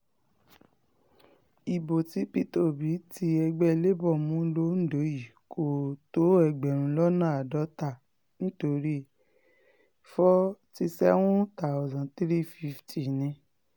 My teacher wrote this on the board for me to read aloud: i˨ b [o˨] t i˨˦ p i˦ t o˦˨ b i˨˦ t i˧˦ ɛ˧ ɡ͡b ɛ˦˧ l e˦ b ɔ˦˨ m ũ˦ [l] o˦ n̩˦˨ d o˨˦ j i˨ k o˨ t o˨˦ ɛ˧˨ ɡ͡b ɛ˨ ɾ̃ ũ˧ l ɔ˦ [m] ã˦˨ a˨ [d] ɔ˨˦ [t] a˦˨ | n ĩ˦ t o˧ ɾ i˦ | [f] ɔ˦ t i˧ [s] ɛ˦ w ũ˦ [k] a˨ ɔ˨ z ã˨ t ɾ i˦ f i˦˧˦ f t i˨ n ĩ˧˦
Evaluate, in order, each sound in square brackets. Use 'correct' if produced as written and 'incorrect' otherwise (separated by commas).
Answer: correct, correct, incorrect, correct, correct, correct, correct, incorrect